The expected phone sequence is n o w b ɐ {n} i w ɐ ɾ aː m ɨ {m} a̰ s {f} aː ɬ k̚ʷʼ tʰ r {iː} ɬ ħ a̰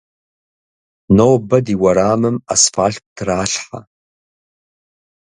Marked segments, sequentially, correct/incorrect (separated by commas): incorrect, correct, correct, incorrect